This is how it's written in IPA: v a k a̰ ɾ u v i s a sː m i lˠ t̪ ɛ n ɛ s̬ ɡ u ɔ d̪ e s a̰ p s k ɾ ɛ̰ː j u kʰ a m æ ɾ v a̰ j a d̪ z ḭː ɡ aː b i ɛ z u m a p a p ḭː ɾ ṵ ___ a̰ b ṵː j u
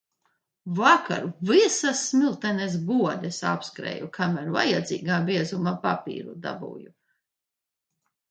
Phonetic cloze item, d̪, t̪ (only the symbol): d̪